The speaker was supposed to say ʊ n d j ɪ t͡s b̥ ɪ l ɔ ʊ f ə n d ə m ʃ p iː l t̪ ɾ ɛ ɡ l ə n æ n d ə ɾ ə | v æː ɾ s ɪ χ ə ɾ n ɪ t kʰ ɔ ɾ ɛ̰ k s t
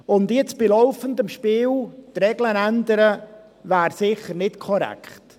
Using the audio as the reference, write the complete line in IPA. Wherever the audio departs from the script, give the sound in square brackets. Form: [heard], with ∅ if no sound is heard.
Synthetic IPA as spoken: ʊ n d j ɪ t͡s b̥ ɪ l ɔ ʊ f ə n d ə m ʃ p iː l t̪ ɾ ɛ ɡ l ə n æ n d ə ɾ ə | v æː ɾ s ɪ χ ə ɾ n ɪ t kʰ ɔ ɾ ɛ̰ k [χ] t